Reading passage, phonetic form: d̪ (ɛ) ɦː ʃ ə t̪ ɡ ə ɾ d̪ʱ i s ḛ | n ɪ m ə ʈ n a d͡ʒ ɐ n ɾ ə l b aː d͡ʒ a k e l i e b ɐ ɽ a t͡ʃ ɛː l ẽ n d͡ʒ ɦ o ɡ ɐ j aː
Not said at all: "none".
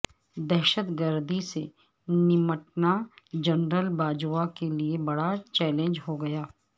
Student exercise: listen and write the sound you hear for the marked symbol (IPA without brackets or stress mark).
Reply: ɛ